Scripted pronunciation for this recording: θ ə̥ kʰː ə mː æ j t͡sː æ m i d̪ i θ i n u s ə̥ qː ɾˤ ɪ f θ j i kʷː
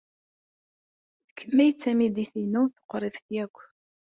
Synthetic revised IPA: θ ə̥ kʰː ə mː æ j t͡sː æ m i d̪ i θ i n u θ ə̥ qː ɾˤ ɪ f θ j æ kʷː